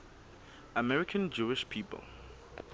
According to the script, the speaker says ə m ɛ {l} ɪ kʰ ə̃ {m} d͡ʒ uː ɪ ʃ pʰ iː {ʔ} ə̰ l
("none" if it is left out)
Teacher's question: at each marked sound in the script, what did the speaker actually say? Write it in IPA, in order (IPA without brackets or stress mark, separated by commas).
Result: ɹ, n, p